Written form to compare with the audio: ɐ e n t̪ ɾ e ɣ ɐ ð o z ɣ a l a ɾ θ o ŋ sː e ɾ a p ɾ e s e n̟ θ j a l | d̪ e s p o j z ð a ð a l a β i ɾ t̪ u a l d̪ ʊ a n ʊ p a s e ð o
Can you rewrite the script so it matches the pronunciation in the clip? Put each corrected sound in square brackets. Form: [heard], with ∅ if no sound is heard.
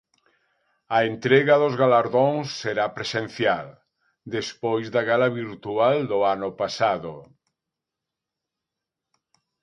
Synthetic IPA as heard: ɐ e n t̪ ɾ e ɣ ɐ ð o z ɣ a l a ɾ [ð] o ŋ sː e ɾ a p ɾ e s e n̟ θ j a l | d̪ e s p o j z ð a [ɣ] a l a β i ɾ t̪ u a l d̪ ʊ a n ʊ p a s [a] ð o